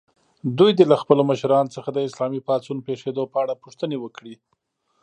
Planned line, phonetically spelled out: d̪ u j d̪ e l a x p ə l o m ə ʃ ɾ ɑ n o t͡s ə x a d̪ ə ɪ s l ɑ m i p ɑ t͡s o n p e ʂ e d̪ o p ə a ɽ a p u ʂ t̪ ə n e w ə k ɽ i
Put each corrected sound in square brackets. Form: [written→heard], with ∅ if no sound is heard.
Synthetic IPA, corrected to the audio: d̪ u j d̪ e l a x p ə l o m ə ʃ ɾ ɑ n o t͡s ə x a d̪ ə ɪ s l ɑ m i p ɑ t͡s [o→u] n p e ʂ e d̪ o p ə a ɽ a p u ʂ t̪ ə n e w ə k ɽ i